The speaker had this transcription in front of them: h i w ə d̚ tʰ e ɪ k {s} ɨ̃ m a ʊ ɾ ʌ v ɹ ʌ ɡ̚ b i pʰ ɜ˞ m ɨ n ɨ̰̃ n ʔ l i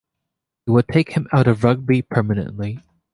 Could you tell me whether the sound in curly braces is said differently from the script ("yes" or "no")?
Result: yes